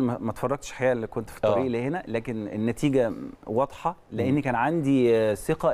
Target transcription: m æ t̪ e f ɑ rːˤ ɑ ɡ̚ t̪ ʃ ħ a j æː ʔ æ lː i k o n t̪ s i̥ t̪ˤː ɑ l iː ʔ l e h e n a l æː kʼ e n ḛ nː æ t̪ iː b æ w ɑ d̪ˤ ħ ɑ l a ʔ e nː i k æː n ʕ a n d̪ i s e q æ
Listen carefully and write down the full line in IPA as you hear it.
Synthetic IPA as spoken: m æ t̪ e f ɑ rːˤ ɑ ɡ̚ t̪ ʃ ħ a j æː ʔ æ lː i k o n t̪ f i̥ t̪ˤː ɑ ɾ iː ʔ l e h e n æ l æː k e n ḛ nː æ t̪ iː ɡ æ w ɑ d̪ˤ ħ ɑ l e ʔ e nː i k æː n ʕ a n d̪ i s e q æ